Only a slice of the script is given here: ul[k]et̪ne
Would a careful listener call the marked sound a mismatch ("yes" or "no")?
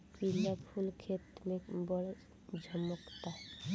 yes